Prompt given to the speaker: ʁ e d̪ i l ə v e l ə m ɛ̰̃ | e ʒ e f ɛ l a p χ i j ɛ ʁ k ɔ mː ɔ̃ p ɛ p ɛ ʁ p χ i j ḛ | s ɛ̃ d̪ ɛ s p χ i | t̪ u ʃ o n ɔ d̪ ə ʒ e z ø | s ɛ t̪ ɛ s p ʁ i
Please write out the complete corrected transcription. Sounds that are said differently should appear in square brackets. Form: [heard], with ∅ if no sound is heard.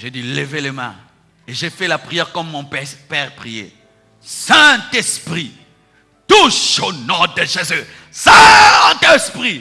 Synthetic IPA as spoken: [ʒ] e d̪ i l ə v e l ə m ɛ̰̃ | e ʒ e f ɛ l a p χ i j ɛ ʁ k ɔ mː ɔ̃ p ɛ p ɛ ʁ p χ i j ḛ | s ɛ̃ [t̪] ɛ s p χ i | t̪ u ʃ o n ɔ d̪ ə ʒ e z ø | s ɛ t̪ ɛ s p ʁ i